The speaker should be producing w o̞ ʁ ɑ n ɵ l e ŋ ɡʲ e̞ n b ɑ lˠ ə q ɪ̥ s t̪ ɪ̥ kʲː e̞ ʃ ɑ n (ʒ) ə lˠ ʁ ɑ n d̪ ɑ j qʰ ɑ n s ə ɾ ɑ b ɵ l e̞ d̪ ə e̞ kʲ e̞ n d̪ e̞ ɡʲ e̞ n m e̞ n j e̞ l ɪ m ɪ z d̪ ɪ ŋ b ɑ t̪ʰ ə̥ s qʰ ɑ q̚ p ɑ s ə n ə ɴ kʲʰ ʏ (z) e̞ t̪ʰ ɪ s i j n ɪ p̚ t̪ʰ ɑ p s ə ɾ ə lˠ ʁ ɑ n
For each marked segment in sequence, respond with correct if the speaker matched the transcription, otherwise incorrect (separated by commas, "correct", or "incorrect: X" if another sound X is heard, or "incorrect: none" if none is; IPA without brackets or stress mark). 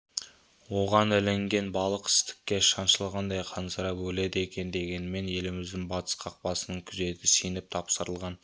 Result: incorrect: ʃ, correct